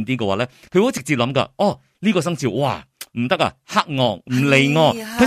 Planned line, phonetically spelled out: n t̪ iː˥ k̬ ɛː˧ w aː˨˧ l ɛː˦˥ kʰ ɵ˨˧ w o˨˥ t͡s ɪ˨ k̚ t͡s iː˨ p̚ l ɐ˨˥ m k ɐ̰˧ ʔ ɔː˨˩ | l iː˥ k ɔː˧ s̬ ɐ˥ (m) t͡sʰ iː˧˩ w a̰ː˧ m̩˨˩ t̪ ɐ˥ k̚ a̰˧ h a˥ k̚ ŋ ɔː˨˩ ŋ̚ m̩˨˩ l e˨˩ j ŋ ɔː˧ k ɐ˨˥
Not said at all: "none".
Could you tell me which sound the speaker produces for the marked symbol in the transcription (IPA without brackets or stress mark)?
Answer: ŋ